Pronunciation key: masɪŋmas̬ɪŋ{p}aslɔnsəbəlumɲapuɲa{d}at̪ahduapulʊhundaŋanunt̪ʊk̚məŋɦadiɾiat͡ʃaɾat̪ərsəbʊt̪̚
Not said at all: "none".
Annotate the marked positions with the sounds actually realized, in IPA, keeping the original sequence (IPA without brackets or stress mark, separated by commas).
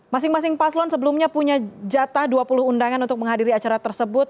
p, d͡ʒ